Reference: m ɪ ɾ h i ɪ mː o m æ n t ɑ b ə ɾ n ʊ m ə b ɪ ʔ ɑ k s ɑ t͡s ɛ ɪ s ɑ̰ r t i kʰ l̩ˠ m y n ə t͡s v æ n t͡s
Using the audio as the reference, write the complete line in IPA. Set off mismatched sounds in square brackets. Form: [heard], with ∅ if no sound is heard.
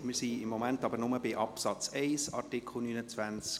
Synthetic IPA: m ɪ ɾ [s] i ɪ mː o m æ n t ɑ b ə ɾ n ʊ m ə b ɪ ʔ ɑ [p] s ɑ t͡s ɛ ɪ s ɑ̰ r t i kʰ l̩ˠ [n] y n ə t͡s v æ n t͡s